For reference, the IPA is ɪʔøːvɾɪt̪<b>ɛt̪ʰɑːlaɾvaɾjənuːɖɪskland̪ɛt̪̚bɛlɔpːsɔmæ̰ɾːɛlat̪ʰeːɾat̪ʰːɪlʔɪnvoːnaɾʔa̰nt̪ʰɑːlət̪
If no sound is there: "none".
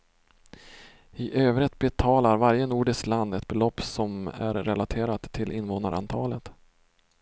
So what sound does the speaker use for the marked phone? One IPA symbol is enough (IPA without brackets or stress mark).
b